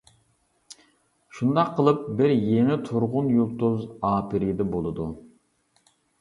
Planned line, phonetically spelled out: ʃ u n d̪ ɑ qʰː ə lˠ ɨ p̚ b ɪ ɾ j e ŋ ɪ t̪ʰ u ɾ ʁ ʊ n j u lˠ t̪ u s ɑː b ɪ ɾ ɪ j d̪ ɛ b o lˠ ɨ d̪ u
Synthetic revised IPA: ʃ u n d̪ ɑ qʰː ə lˠ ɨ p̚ b ɪ ɾ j e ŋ ɪ t̪ʰ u ɾ ʁ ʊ n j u lˠ t̪ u z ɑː p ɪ ɾ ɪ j d̪ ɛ b o lˠ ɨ d̪ u